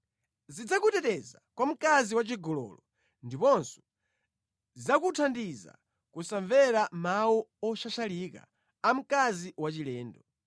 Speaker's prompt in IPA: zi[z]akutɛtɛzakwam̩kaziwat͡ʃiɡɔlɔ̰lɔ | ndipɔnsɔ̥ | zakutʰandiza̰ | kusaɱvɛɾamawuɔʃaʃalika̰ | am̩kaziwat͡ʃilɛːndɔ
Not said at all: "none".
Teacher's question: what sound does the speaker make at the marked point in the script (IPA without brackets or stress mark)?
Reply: d͡z